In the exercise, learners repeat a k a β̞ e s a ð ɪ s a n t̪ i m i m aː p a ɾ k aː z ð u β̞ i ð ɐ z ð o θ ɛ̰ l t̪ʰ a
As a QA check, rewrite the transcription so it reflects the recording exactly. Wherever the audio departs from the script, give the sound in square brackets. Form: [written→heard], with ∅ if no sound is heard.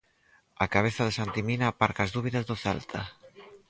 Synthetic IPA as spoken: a k a β̞ e [s→θ] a ð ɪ s a n t̪ i m i [m→n] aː p a ɾ k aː z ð u β̞ i ð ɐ z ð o θ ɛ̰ l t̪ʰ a